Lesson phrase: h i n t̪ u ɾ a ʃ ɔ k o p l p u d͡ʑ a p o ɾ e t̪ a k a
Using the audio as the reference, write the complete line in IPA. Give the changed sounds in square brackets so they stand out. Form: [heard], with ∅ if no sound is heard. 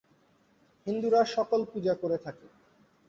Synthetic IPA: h i n [d̪] u ɾ a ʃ ɔ k o [∅] l p u d͡ʑ a [k] o ɾ e [t̪ʰ] a k [e]